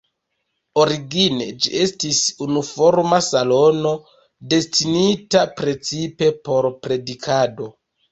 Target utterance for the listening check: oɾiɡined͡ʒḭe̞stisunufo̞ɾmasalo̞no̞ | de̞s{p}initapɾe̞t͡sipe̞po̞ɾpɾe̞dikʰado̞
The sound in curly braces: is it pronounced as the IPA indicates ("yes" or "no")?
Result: no